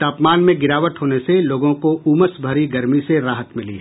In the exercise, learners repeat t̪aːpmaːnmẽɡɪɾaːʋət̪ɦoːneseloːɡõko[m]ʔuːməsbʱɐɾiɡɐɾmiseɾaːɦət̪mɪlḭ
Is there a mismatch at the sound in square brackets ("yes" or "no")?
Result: yes